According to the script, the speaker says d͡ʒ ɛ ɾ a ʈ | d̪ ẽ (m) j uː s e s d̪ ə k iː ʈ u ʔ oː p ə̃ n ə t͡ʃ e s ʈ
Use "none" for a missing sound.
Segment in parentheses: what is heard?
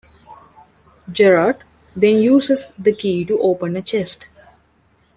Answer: n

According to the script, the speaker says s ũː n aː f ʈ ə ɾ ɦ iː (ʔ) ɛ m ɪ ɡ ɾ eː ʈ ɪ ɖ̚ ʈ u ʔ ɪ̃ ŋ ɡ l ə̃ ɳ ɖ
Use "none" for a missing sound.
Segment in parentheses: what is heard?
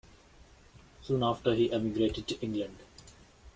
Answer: ʔ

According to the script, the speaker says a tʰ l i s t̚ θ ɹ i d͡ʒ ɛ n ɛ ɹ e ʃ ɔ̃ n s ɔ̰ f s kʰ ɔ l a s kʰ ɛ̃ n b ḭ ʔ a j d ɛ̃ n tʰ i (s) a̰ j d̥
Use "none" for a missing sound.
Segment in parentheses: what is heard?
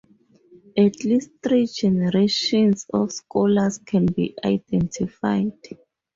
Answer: f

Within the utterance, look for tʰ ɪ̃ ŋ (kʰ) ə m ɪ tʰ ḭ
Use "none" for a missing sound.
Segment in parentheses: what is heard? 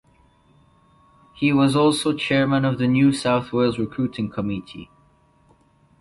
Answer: kʰ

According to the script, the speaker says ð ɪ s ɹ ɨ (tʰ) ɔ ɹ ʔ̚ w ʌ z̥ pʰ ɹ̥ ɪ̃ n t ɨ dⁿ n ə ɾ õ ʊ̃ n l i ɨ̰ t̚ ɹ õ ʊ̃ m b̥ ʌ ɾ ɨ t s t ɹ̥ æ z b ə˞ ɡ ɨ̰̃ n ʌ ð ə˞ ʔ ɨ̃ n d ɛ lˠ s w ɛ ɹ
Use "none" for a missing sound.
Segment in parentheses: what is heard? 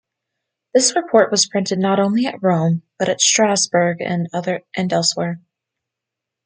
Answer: pʰ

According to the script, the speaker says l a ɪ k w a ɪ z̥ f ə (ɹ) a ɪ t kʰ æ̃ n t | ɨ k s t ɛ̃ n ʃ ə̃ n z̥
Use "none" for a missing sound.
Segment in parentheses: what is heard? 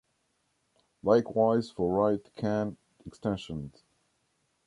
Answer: ɹ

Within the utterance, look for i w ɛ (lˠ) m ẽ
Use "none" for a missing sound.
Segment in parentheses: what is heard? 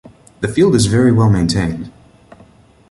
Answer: lˠ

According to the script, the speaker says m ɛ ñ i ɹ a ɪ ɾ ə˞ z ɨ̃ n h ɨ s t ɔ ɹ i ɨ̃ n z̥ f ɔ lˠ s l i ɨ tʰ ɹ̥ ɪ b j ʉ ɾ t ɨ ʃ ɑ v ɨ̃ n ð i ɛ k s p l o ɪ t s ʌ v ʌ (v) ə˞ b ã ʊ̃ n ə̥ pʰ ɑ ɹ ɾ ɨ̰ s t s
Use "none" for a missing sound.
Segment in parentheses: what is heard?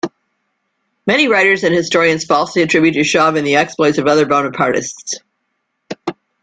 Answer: ð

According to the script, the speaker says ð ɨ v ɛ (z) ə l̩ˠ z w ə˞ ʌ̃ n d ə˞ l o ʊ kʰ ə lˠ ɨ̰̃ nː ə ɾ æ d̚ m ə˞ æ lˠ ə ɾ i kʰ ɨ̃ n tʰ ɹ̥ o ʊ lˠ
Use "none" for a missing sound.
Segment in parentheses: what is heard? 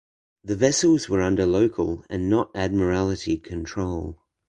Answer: s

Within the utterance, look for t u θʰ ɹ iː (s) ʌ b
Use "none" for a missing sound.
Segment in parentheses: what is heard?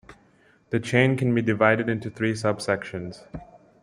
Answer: s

